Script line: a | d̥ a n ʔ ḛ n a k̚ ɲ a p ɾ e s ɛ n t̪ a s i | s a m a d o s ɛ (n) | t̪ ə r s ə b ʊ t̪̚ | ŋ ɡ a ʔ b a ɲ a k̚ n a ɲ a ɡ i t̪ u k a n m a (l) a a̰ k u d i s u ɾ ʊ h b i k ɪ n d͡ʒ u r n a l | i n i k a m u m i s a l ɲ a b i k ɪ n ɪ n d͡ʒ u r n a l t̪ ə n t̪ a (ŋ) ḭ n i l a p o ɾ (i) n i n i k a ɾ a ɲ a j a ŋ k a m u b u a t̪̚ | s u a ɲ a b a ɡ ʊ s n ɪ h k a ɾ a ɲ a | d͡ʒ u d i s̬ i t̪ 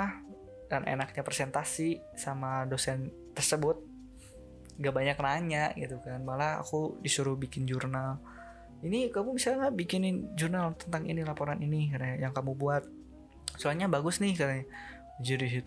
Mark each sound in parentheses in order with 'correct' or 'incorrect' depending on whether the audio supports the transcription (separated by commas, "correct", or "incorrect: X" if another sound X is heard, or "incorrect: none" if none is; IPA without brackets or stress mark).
correct, correct, correct, incorrect: a